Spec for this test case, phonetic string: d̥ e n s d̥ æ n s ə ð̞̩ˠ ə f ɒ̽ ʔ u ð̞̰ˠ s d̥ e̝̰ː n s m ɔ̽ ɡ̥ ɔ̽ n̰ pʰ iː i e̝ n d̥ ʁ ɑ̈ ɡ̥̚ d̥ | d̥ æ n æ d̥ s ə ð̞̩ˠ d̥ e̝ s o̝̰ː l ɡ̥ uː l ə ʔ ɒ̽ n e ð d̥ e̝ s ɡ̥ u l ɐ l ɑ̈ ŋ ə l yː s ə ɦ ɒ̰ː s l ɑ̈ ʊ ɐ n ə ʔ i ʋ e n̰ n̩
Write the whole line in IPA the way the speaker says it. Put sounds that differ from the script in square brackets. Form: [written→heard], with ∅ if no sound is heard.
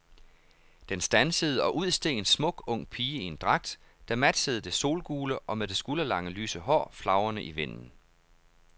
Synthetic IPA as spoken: d̥ e n s d̥ æ n s ə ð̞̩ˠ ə [f→∅] ɒ̽ ʔ u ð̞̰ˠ s d̥ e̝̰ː n s m ɔ̽ ɡ̥ ɔ̽ [n̰→ŋ̰] pʰ iː i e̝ n d̥ ʁ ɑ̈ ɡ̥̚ d̥ | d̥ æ [n→m] æ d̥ s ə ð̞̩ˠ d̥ e̝ s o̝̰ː l ɡ̥ uː l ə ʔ ɒ̽ [n→m] e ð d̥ e̝ s ɡ̥ u l ɐ l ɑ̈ ŋ ə l yː s ə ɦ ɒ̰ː [s→f] l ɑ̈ ʊ ɐ n ə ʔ i ʋ e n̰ n̩